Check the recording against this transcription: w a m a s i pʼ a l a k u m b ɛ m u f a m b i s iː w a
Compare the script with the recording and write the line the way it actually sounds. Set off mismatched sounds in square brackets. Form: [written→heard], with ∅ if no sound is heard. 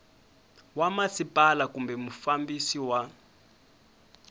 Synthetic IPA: w a m a s i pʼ a l a k u m b ɛ m u f a m b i s [iː→i] w a